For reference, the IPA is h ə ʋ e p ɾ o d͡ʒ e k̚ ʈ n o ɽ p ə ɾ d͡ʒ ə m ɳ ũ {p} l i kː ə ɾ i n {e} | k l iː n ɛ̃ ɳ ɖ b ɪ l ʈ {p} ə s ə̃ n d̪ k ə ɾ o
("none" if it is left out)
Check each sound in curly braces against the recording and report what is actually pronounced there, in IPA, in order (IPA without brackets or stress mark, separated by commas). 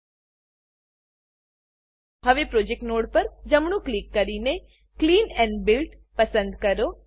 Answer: k, e, p